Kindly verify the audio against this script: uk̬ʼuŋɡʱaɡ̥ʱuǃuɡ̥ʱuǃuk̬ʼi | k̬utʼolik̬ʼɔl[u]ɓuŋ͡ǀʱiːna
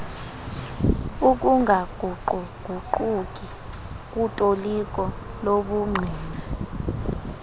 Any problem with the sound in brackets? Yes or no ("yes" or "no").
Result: yes